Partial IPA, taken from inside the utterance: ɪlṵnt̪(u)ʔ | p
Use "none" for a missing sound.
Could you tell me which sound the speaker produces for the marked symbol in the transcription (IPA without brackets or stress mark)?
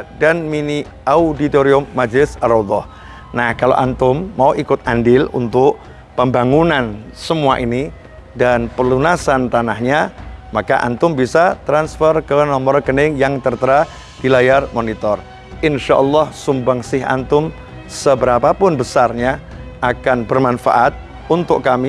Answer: ʊ